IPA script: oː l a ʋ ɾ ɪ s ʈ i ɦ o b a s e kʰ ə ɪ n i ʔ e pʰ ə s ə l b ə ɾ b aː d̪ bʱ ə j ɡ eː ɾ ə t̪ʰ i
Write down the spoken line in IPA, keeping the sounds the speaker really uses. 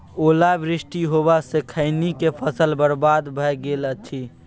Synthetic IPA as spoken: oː l a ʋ ɾ ɪ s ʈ i ɦ o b a s e kʰ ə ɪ n i k e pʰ ə s ə l b ə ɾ b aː d̪ bʱ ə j ɡ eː l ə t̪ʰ i